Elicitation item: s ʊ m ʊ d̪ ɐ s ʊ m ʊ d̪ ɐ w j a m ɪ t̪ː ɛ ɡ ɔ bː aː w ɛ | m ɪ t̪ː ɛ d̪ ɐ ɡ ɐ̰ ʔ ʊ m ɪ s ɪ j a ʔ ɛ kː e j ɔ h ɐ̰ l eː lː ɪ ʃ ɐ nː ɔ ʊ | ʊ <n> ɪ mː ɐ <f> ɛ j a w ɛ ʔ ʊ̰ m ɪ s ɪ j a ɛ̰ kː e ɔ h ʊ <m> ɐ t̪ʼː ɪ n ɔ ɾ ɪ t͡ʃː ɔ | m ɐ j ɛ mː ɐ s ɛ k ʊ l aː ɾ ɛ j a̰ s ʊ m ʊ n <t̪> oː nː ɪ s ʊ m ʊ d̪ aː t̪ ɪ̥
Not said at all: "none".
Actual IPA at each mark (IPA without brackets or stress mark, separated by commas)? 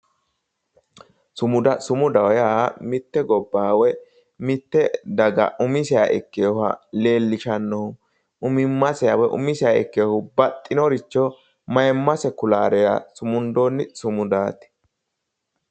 m, s, b, d̪